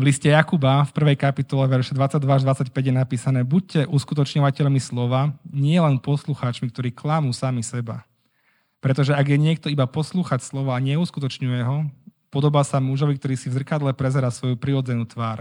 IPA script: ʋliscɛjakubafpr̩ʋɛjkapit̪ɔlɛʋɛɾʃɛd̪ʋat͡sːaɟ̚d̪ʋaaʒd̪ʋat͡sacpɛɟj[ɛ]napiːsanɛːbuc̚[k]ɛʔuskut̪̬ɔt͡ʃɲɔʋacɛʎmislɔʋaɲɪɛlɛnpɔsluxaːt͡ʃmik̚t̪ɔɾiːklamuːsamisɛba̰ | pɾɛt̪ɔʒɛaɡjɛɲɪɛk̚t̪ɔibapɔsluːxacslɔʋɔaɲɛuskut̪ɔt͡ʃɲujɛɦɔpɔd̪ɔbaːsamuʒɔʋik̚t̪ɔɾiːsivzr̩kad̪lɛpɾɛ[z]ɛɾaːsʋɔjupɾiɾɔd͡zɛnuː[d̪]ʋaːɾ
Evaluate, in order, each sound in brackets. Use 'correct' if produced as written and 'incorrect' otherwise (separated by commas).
correct, incorrect, correct, incorrect